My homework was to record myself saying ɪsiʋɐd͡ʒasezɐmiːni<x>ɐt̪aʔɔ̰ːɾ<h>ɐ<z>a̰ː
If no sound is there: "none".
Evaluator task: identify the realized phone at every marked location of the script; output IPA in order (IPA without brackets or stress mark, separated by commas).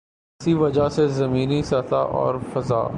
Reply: s, f, z